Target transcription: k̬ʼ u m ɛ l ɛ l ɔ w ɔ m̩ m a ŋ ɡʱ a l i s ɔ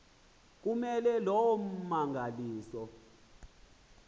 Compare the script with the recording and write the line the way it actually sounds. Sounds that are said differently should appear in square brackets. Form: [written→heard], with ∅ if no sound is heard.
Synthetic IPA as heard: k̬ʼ u m ɛ l ɛ l ɔ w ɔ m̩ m a ŋ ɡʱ a l [i→iː] s ɔ